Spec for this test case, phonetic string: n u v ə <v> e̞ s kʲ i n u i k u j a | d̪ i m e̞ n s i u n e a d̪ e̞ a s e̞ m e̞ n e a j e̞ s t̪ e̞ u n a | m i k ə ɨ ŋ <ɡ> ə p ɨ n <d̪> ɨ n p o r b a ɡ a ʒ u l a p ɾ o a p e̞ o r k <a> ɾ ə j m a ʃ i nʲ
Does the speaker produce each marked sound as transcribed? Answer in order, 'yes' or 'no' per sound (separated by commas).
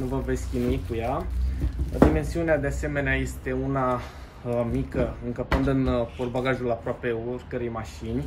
yes, no, yes, no